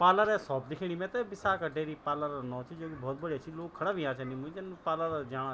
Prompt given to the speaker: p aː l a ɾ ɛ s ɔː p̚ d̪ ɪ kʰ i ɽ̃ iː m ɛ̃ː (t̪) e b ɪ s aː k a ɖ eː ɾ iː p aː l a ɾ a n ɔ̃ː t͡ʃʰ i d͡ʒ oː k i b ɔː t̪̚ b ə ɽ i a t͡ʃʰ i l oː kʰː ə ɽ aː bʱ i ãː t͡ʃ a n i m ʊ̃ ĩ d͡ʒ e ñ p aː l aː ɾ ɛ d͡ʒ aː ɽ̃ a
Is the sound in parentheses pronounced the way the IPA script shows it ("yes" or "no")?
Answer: yes